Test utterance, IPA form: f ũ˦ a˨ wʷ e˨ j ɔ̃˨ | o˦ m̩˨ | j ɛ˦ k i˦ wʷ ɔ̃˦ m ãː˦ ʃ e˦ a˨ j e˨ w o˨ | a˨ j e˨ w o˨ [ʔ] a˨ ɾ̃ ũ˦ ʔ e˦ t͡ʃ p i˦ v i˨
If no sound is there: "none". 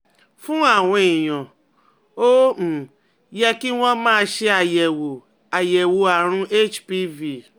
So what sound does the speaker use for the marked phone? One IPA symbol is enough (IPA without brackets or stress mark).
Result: none